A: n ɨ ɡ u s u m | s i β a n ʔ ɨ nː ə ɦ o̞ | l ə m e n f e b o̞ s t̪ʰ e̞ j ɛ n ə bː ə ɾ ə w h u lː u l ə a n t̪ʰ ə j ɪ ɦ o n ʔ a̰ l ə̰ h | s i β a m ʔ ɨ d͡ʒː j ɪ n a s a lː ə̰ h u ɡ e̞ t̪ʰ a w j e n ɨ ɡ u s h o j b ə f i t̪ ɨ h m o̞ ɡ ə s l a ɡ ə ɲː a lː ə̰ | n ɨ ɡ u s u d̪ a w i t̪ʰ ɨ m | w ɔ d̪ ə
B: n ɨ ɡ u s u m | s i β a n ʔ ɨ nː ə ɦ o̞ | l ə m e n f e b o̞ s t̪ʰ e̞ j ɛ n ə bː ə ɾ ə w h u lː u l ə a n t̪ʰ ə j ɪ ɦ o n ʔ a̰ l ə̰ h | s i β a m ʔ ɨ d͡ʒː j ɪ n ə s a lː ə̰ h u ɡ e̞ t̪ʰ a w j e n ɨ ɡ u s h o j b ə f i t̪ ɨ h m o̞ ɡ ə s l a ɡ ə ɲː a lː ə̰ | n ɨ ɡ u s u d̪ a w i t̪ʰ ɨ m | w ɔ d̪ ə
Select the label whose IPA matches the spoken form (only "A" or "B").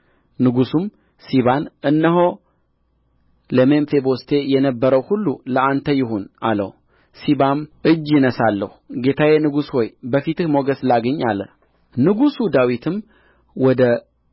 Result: B